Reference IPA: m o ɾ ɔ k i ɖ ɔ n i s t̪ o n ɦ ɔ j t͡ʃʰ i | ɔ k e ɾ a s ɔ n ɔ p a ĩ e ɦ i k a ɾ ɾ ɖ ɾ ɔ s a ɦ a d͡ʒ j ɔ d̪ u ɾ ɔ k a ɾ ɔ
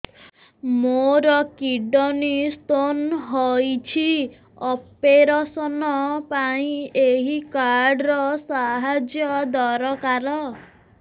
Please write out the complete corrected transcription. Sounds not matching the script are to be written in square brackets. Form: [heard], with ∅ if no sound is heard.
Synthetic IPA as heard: m o ɾ ɔ k i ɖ ɔ n i s t̪ o n ɦ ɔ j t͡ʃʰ i | ɔ [p] e ɾ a s ɔ n ɔ p a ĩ e ɦ i k a ɾ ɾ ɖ ɾ ɔ s a ɦ a d͡ʒ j ɔ d̪ [ɔ] ɾ ɔ k a ɾ ɔ